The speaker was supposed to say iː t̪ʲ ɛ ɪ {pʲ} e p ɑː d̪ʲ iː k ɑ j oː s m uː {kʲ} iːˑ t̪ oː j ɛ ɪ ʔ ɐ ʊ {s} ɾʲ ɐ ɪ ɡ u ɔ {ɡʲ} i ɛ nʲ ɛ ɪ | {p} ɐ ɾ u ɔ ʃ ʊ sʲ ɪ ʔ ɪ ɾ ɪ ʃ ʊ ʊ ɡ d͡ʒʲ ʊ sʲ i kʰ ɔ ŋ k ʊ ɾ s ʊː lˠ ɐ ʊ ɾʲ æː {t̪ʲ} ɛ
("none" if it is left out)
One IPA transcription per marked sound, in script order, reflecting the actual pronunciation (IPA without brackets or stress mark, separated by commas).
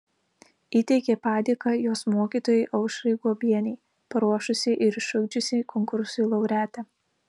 kʲ, kʲ, ʃ, bʲ, p, t̪ʲ